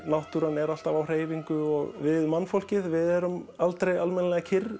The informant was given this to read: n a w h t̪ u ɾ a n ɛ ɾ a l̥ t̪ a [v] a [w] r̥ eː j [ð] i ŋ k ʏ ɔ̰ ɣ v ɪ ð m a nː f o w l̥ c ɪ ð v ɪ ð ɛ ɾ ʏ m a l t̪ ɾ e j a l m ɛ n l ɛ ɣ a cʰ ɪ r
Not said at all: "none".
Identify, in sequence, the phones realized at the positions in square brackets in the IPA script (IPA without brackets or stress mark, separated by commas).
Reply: v, w, v